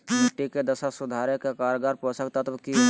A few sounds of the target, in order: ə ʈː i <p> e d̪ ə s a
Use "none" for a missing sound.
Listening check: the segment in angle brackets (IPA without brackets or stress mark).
k